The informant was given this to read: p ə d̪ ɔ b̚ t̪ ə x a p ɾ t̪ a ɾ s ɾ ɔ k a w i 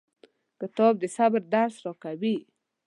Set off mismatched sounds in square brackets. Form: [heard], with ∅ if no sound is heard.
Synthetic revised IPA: [k] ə [t̪] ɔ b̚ [d̪] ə [s] a [b] ɾ [d̪] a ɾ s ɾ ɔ k a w i